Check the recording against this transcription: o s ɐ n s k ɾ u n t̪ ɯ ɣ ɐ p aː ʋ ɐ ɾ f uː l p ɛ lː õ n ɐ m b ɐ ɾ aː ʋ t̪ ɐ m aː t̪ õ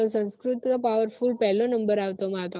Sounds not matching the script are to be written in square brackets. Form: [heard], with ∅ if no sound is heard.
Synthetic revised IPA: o s ɐ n s k ɾ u [∅] t̪ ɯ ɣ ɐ p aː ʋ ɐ ɾ f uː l p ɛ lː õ n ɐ m b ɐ ɾ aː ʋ t̪ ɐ m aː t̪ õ